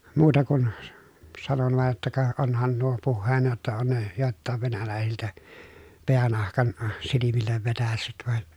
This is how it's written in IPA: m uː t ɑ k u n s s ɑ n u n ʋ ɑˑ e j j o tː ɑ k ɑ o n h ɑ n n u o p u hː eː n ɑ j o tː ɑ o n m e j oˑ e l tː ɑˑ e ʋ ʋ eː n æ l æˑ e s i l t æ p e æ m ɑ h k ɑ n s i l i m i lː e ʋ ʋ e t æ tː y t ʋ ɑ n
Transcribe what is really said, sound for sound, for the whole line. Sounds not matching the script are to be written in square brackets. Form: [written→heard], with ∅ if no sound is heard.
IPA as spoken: m uː t ɑ k u n s s ɑ n [u→o] n ʋ ɑˑ e j j o tː ɑ k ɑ o n h ɑ n n u o p u hː eː n ɑ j o tː ɑ o n [m→n] e j oˑ e l tː ɑˑ e ʋ ʋ [eː→e] n æ l æˑ e s i l t æ p e æ [m→n] ɑ h k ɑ n s i l i m i lː e ʋ ʋ e t æ [tː→sː] y t ʋ ɑ n